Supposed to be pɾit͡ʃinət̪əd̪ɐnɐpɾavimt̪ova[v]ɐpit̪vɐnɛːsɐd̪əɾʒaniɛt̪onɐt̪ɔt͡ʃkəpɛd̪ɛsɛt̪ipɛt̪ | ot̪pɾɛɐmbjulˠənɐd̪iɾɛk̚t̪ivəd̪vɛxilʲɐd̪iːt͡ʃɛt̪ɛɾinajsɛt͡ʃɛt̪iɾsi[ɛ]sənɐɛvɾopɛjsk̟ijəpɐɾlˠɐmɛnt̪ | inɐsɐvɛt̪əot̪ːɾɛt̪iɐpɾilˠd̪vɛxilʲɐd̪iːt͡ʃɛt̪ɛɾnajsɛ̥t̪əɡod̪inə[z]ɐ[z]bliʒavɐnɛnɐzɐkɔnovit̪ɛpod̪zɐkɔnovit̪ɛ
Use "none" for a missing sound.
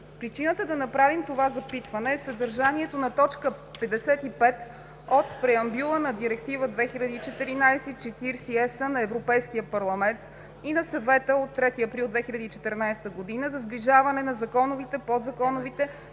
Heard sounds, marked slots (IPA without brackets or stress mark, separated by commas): z, ɛ, z, z